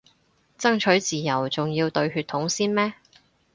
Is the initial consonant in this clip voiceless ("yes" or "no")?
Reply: yes